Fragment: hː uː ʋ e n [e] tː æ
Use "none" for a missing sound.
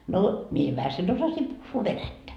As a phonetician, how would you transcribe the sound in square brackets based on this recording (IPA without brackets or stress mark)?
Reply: æ